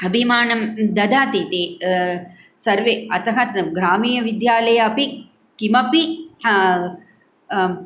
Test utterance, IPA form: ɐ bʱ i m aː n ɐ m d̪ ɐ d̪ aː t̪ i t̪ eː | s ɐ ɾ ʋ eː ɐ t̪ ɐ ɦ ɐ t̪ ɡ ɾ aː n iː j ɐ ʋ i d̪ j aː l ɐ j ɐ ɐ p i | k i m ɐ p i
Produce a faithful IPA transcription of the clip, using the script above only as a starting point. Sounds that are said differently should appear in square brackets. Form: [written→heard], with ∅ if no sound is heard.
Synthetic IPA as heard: ɐ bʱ i m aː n ɐ m d̪ ɐ d̪ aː t̪ i t̪ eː | s ɐ ɾ ʋ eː ɐ t̪ ɐ ɦ ɐ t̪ ɡ ɾ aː [n→m] iː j ɐ ʋ i d̪ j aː l ɐ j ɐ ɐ p i | k i m ɐ p i